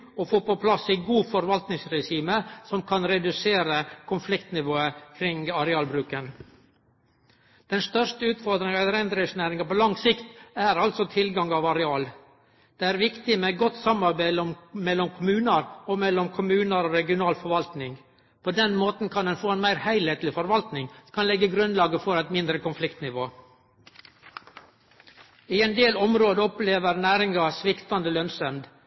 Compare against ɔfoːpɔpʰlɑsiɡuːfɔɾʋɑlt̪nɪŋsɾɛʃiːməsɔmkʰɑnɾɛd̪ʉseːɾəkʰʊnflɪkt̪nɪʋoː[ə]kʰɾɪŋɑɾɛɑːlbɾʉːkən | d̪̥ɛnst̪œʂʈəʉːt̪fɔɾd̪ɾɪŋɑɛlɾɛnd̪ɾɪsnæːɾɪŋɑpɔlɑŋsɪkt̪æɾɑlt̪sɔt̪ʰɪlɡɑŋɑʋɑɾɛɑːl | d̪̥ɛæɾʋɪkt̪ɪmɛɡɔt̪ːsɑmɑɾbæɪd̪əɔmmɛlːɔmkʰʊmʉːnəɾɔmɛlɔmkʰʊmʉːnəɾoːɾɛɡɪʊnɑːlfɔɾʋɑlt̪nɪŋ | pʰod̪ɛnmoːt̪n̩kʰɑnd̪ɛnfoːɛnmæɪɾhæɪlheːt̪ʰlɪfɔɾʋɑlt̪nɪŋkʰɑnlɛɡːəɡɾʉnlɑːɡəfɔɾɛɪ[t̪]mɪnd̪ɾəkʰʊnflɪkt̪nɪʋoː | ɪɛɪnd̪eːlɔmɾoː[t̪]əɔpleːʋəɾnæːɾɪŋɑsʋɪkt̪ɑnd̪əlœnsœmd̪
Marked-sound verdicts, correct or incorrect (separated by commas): correct, correct, incorrect